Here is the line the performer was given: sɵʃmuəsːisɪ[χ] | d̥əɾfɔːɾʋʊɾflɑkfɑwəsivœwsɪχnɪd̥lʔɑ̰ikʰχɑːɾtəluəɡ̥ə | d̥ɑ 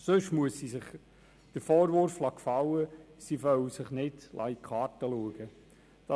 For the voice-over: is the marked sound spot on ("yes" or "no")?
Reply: yes